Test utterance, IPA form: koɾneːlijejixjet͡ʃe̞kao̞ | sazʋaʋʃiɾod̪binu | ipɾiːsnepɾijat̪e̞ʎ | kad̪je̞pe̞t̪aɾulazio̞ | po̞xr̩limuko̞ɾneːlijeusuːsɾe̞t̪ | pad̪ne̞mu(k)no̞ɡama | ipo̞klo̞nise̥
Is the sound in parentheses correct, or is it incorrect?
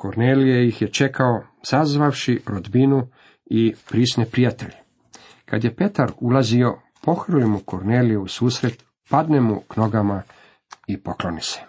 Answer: correct